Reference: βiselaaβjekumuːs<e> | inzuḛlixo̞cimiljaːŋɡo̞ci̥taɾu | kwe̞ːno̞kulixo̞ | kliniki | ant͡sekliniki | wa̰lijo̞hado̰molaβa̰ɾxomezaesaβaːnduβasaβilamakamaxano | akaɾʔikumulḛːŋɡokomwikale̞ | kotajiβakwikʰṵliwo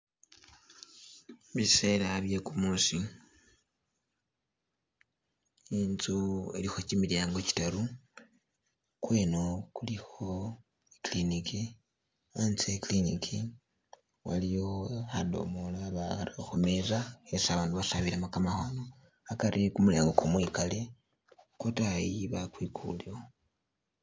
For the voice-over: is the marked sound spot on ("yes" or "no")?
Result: no